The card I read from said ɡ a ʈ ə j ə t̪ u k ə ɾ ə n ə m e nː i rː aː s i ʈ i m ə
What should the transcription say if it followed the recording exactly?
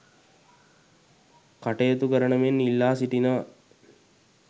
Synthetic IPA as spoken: k a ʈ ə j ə t̪ u k ə ɾ ə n ə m e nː i lː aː s i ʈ i n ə